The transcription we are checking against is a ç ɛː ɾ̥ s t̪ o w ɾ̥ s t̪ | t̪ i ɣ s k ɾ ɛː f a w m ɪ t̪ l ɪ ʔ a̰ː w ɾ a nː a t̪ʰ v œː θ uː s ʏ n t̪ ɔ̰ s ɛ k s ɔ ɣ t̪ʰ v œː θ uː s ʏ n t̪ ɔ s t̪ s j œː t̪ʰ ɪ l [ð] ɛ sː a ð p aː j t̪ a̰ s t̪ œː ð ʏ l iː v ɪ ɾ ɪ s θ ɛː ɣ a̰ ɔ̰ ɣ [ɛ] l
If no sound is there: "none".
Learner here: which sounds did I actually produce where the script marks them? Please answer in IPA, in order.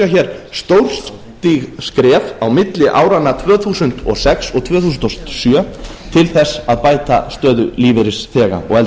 θ, ɛ

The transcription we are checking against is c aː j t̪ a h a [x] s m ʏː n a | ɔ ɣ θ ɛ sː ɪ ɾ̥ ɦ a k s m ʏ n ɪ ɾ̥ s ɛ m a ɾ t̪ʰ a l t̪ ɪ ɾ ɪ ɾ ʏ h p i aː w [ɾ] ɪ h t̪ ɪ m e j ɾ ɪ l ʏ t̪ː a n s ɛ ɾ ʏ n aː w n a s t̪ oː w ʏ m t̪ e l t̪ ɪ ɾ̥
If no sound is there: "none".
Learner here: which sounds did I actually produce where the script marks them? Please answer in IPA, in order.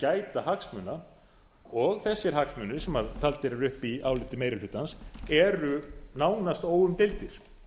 k, l

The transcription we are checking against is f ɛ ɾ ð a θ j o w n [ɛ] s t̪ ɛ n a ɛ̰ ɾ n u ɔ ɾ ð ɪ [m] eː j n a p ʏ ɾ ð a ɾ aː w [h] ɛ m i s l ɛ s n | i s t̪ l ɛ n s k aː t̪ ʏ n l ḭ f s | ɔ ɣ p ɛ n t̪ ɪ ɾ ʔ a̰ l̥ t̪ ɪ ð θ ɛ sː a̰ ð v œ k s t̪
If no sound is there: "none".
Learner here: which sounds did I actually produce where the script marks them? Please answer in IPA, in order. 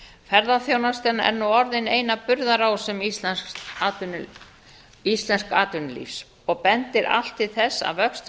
a, n, s

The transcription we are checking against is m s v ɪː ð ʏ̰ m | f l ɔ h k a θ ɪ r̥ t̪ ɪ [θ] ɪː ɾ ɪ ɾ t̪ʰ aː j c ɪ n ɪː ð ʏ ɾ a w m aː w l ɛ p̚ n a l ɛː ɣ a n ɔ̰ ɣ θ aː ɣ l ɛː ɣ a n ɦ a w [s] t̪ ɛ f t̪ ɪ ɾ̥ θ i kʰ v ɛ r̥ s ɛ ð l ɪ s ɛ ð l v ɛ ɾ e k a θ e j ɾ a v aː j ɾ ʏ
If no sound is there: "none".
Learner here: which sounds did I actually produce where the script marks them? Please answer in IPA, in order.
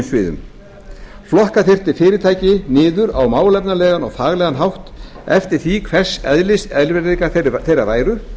f, h

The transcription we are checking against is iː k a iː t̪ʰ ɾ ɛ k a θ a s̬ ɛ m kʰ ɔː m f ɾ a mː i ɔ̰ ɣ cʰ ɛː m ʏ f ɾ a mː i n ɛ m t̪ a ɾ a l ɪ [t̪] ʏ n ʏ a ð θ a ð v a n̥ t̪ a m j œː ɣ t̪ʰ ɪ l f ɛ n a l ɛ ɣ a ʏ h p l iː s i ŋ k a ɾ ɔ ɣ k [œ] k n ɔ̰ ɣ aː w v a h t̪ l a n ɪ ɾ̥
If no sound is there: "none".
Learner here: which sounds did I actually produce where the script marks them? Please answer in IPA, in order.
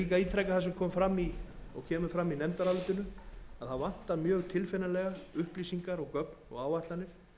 t̪, œ

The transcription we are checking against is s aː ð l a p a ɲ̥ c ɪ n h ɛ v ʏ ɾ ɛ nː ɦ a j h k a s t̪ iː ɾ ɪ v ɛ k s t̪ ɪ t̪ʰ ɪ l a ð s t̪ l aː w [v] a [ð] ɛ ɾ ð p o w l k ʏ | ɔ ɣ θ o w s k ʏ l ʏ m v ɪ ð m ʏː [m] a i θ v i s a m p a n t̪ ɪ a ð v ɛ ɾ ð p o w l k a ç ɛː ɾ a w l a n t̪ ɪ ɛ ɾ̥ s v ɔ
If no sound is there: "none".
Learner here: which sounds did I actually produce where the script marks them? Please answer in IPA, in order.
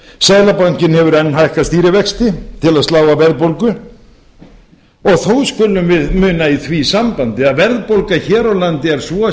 v, v, n

